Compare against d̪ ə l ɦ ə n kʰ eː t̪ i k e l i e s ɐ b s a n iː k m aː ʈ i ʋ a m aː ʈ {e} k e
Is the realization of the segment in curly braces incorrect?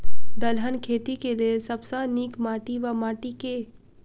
yes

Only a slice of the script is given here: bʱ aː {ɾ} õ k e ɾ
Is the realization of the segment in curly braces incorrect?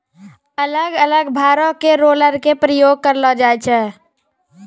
no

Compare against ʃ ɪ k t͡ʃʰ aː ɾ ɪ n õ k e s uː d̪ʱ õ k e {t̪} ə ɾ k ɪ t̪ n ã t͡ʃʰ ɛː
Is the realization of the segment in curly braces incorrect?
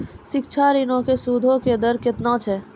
yes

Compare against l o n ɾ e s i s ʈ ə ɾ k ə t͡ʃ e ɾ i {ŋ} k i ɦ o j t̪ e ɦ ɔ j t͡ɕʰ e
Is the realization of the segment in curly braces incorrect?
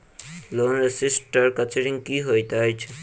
no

